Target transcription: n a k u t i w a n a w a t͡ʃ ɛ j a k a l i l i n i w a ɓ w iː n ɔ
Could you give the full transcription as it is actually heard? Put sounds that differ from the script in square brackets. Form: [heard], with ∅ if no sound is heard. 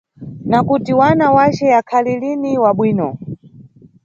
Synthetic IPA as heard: n a k u t i w a n a w a t͡ʃ ɛ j a [kʰ] a l i l i n i w a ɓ w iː n ɔ

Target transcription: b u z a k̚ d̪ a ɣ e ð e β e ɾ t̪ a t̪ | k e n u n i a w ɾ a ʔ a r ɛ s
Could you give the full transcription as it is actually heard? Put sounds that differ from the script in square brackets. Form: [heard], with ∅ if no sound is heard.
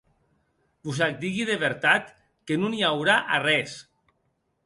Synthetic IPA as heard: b u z a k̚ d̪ [i] ɣ [i] ð e β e ɾ t̪ a t̪ | k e n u n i a w ɾ a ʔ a r ɛ s

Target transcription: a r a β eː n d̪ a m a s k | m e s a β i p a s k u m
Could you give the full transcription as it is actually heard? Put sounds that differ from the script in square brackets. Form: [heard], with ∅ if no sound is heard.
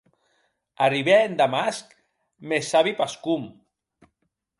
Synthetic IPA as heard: a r [i] β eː n d̪ a m a s k | m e s a β i p a s k u m

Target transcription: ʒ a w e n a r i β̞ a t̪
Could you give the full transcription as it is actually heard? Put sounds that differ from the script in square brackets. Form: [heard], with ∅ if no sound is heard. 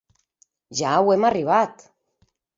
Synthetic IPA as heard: ʒ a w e [m] a r i β̞ a t̪

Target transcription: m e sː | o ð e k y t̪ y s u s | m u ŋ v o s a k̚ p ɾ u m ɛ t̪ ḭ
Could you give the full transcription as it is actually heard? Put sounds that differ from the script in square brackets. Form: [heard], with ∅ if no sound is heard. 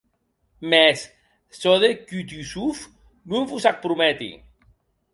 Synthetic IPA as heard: m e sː | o ð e k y t̪ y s u [f] | [n] u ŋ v [u] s a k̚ p ɾ u m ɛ t̪ ḭ

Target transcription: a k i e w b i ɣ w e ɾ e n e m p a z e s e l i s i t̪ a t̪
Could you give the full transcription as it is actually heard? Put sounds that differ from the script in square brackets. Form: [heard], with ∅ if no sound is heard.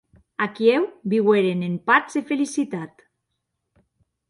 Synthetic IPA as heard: a k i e w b i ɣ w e ɾ e n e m p a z e [f] e l i s i t̪ a t̪

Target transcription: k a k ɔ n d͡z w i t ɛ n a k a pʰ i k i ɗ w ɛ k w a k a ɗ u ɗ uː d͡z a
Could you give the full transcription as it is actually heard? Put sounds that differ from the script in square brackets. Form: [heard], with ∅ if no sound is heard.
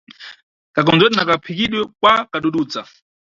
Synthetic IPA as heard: k a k ɔ n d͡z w [ɛ] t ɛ n a k a pʰ i k i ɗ w ɛ k w a k a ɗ u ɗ uː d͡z a

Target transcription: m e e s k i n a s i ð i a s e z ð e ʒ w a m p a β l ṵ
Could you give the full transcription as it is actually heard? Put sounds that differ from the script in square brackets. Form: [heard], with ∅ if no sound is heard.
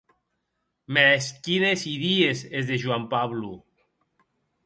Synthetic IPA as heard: m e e s k i n [e] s i ð i [e] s e z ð e ʒ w a m p a β l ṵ

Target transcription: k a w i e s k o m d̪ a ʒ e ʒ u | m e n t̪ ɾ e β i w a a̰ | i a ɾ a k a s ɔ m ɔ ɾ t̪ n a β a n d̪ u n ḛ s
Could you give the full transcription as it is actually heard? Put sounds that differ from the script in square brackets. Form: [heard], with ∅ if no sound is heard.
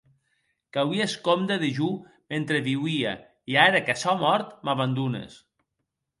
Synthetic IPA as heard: k a w i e s k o m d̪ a [ð] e ʒ u | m e n t̪ ɾ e β i w [i] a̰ | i a ɾ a k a s ɔ m ɔ ɾ t̪ [m] a β a n d̪ u n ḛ s

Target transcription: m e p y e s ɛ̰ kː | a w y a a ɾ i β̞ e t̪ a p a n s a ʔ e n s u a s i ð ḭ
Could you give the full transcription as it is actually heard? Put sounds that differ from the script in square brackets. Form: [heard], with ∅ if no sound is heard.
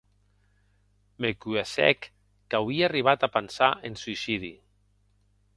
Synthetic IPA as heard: m e [k] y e s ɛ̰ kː | a w [i] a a [r] i β̞ [a] t̪ a p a n s a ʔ e n s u [i] s i ð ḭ

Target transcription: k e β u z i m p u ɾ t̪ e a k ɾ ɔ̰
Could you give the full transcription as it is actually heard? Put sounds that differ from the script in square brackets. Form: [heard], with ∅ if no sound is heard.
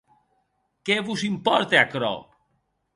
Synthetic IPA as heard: k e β u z i m p [ɔ] ɾ t̪ e a k ɾ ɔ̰

